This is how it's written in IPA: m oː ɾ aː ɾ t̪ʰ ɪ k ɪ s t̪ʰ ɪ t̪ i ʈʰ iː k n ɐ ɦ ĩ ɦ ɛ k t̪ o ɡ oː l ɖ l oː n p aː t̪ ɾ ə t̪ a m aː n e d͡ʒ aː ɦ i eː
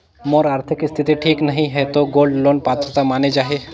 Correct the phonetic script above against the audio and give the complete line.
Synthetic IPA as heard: m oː ɾ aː ɾ t̪ʰ ɪ k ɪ s t̪ʰ ɪ t̪ i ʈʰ iː k n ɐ ɦ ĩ ɦ ɛ t̪ o ɡ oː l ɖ l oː n p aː t̪ ɾ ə t̪ a m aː n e d͡ʒ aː ɦ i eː